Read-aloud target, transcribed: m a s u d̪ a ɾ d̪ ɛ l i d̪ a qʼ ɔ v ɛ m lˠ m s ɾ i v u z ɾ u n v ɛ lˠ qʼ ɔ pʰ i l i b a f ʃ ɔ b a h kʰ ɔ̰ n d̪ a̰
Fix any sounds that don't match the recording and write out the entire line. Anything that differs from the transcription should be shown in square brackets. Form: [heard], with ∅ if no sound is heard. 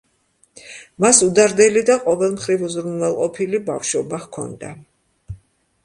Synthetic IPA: m a s u d̪ a ɾ d̪ ɛ l i d̪ a qʼ ɔ v ɛ [∅] lˠ m [χ] ɾ i v u z ɾ u n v ɛ lˠ qʼ ɔ pʰ i l i b a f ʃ ɔ b a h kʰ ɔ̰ n d̪ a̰